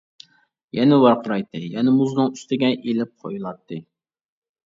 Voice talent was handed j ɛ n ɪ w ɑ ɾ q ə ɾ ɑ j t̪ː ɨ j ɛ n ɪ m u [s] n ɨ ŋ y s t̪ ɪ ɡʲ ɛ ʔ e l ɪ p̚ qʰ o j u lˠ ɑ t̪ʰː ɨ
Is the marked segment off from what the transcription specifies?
yes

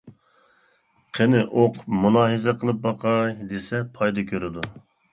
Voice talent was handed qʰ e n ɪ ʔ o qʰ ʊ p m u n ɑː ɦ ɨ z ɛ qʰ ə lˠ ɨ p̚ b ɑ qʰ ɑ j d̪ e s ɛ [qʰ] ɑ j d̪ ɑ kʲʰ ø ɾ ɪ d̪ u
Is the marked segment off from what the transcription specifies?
yes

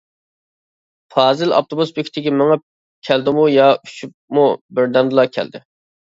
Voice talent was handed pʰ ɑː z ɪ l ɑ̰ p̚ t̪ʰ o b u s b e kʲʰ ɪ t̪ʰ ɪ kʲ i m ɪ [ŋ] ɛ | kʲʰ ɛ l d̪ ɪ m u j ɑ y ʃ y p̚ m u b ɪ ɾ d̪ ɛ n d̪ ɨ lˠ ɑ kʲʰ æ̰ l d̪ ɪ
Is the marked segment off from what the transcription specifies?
no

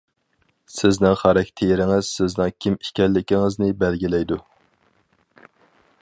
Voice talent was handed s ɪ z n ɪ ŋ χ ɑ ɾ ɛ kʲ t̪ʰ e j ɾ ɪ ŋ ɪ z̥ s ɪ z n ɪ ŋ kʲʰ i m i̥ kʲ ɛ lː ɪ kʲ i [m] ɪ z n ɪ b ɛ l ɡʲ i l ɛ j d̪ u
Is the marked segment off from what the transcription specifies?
yes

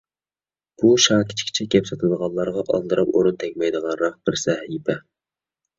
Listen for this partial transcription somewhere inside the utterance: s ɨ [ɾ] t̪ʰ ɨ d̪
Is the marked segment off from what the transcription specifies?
yes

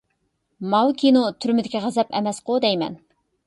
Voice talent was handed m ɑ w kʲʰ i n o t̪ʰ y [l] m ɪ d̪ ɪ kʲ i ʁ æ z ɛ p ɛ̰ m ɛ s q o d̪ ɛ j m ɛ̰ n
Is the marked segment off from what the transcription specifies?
yes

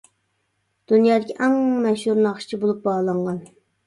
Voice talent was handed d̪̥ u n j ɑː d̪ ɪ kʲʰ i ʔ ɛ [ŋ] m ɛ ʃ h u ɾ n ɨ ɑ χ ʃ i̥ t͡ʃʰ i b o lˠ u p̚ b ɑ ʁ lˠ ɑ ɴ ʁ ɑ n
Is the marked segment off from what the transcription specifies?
no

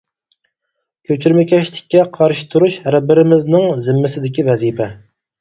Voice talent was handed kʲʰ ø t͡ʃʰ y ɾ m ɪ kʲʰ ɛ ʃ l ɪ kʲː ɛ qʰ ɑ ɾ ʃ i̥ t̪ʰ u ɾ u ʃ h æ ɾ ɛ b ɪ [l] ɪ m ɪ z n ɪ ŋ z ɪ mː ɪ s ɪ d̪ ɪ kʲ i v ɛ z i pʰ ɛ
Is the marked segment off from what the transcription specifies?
yes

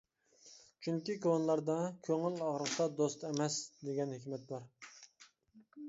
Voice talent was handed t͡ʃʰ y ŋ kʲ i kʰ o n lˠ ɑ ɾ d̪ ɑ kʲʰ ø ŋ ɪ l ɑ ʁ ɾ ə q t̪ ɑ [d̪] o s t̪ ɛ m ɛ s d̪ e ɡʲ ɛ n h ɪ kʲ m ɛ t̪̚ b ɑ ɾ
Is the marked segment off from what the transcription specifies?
no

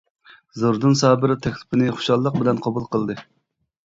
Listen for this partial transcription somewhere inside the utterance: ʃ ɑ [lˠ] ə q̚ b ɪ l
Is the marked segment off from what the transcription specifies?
yes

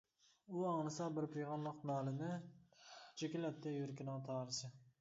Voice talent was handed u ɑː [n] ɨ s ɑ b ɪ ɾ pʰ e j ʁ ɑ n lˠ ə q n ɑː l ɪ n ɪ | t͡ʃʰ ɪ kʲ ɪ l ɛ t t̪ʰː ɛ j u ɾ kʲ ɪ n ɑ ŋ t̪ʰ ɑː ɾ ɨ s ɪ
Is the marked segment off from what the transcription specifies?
no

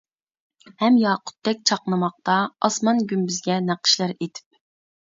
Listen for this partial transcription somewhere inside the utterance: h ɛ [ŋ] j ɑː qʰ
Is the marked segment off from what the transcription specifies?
yes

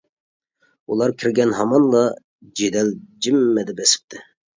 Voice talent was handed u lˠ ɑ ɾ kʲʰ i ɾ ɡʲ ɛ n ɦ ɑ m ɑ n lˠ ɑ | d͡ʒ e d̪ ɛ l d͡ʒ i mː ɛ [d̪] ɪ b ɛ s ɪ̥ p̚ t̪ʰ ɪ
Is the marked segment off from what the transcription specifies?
no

